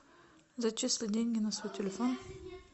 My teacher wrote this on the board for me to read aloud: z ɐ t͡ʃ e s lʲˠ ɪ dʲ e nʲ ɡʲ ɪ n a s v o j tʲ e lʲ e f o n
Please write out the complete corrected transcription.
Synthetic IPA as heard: z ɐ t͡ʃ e s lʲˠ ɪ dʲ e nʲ ɡʲ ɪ n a s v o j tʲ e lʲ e f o n